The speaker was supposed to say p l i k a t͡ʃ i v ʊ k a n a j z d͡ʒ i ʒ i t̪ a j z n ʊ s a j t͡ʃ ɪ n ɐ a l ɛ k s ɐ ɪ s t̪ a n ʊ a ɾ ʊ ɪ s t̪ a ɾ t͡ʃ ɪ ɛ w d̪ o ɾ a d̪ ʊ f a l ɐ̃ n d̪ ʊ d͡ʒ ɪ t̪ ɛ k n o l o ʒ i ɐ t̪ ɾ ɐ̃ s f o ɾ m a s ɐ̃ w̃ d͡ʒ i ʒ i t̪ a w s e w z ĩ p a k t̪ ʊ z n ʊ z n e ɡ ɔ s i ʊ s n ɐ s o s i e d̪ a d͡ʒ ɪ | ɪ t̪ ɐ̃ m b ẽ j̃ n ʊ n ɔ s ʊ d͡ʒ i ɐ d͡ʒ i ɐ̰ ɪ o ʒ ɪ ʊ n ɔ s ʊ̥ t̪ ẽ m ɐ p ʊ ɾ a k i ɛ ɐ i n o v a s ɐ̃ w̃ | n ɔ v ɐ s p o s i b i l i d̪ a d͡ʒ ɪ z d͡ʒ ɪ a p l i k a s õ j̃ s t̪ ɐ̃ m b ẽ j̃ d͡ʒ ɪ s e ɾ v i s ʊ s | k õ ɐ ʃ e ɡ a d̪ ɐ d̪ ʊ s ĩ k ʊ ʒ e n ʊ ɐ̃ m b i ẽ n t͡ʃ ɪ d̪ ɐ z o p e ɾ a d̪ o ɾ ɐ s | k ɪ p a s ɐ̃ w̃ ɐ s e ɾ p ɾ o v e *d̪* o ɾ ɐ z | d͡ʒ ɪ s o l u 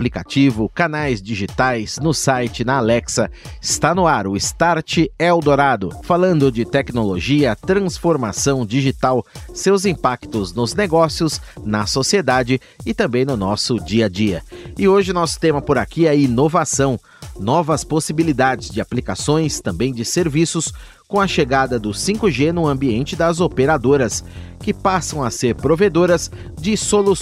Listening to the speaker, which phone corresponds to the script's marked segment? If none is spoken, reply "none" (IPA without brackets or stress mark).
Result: d̪